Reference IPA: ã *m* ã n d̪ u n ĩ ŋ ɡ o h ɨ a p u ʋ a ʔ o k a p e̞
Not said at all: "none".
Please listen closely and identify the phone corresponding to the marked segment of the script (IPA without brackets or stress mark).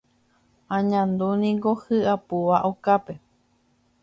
ɲ